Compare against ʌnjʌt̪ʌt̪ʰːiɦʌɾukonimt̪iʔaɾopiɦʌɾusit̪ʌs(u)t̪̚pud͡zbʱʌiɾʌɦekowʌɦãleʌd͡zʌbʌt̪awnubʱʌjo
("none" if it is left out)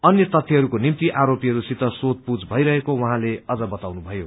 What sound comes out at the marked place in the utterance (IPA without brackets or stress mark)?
o